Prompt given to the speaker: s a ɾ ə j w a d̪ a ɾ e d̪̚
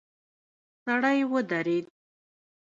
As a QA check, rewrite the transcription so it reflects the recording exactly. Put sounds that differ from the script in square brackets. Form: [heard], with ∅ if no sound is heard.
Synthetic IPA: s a [ɽ] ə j w [ə] d̪ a ɾ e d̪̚